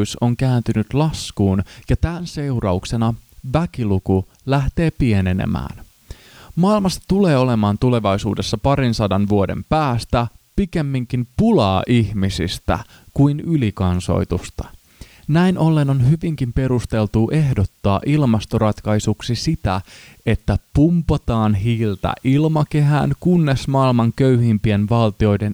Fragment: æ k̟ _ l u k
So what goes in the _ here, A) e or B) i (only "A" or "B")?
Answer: B